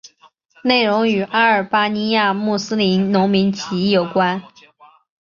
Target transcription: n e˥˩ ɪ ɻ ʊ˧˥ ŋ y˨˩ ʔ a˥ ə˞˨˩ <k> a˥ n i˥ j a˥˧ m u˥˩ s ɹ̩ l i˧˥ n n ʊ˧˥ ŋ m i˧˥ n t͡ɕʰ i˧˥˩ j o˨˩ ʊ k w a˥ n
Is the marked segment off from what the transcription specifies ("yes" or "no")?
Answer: yes